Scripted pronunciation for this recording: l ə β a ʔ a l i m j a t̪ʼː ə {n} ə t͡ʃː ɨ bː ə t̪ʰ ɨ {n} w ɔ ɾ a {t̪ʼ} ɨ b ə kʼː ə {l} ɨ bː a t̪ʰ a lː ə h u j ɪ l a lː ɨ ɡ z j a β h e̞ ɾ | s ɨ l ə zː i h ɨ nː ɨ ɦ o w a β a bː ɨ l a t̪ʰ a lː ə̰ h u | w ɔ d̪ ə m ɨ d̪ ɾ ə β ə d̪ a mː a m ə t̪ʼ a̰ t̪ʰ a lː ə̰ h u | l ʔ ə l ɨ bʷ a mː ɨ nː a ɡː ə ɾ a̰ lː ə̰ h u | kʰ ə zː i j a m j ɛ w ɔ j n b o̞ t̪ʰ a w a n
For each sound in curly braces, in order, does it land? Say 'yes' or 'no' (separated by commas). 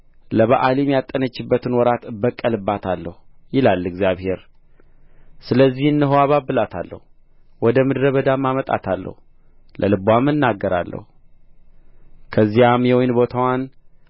yes, yes, no, yes